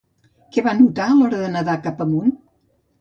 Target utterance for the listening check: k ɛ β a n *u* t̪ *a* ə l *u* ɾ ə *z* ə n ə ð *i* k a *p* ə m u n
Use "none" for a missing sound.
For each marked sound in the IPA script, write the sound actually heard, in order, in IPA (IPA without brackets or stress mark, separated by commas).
u, a, ɔ, ð, a, p